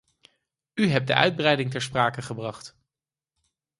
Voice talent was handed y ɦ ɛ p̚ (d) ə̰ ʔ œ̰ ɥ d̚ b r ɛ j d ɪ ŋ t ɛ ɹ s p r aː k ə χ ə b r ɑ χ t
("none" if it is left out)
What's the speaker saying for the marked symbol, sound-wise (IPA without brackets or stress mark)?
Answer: d